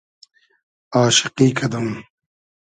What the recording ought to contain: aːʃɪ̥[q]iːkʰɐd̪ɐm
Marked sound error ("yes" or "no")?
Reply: no